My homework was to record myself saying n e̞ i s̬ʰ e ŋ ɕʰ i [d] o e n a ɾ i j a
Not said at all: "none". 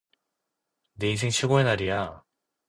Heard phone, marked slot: ɡ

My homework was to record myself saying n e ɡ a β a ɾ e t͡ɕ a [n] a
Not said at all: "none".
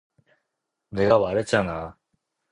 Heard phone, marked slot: n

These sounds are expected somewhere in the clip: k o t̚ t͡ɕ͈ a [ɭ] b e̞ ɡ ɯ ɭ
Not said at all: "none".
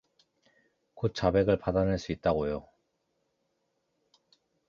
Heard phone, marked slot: none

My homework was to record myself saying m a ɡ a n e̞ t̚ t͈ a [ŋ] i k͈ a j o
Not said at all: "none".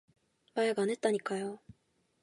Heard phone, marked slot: ɲ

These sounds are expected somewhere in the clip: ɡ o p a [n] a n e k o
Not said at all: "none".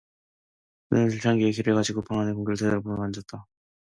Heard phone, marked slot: ŋ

